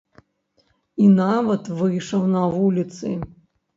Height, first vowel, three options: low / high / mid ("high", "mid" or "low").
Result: high